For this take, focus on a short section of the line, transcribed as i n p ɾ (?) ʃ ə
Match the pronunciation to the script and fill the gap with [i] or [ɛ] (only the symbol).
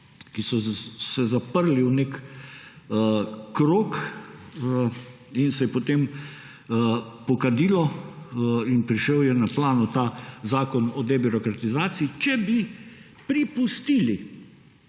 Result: i